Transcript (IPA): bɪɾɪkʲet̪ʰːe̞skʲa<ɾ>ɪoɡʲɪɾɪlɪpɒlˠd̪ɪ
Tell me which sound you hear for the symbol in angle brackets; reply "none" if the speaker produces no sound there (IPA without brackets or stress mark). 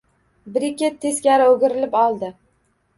ɾ